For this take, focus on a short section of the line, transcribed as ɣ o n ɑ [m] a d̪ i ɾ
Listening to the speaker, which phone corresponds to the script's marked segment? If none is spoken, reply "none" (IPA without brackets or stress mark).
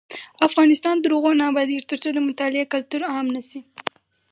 b